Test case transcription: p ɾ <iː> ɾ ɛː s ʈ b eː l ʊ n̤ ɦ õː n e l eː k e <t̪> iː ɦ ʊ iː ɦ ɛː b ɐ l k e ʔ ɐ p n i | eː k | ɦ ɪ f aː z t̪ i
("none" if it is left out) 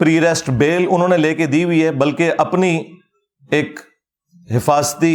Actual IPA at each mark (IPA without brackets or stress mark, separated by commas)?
iː, d̪